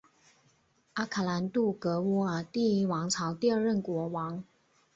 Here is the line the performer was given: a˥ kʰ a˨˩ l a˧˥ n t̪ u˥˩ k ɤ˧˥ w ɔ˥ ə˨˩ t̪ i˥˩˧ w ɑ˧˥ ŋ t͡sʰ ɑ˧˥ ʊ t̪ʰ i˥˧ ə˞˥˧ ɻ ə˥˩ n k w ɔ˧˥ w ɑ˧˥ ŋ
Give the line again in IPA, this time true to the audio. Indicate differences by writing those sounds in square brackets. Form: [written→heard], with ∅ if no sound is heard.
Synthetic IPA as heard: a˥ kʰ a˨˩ l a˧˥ n t̪ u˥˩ k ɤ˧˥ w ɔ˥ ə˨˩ t̪ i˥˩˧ w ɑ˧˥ ŋ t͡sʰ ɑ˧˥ ʊ [t̪ʰ→t̪] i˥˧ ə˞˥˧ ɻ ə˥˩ n k w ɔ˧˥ w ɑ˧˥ ŋ